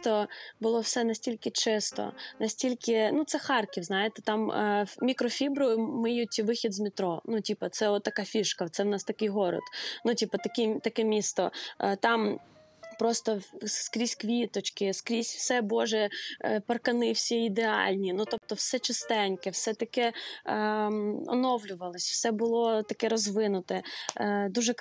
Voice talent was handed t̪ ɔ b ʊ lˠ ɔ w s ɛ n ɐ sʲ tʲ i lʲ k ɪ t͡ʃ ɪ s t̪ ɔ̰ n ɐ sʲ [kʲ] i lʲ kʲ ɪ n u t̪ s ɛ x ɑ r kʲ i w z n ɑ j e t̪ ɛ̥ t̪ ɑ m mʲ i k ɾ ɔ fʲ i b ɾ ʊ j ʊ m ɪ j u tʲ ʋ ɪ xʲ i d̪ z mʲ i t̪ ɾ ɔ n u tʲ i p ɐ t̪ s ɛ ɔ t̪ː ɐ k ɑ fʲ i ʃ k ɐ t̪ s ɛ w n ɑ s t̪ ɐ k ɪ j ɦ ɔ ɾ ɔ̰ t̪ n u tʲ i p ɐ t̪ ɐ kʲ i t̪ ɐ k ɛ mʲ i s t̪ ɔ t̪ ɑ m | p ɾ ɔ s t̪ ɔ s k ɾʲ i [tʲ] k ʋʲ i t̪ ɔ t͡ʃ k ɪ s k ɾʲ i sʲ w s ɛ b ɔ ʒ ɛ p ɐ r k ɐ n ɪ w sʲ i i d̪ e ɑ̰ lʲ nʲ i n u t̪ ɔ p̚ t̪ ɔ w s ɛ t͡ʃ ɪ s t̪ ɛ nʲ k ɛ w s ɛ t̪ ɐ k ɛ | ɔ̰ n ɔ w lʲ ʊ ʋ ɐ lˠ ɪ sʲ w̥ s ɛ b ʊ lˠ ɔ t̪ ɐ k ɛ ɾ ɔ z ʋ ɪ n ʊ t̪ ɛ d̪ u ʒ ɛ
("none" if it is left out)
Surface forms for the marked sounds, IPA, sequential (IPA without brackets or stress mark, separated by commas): tʲ, sʲ